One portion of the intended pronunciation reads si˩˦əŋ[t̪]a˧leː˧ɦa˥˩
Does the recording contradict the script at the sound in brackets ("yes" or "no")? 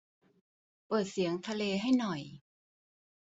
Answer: yes